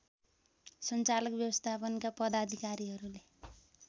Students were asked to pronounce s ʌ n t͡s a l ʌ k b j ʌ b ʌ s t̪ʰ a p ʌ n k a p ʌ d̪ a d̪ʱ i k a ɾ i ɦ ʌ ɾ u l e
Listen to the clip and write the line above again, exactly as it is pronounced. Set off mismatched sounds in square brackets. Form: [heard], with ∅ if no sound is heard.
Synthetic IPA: s ʌ n t͡s a l ʌ k b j ʌ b ʌ s t̪ʰ a p ʌ n k a p ʌ d̪ a d̪ʱ i k a ɾ i ɦ ʌ ɾ u l e